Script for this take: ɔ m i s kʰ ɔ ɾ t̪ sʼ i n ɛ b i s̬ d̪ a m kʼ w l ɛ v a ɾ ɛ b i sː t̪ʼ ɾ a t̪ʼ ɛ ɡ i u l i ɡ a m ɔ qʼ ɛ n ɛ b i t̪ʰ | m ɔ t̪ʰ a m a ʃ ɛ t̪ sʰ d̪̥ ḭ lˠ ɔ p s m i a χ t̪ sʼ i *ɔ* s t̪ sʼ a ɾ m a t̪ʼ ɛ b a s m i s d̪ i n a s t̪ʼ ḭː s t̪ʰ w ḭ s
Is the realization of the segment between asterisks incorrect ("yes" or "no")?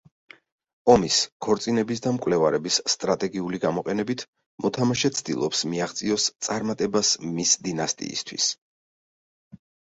no